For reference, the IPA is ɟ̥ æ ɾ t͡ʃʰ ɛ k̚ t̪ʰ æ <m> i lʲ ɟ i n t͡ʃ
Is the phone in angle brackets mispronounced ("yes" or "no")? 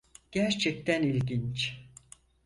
yes